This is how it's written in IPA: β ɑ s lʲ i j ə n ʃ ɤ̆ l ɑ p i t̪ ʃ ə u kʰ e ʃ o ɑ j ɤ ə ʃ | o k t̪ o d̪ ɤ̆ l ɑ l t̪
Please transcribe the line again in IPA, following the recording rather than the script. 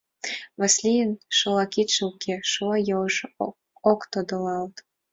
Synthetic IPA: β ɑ s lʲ i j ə n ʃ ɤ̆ l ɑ k i t̪ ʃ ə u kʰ e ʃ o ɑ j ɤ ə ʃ | o k t̪ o d̪ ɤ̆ l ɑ l t̪